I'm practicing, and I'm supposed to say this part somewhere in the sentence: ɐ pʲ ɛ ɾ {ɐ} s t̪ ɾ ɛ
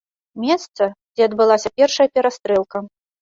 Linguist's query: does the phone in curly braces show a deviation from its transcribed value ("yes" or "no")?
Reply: yes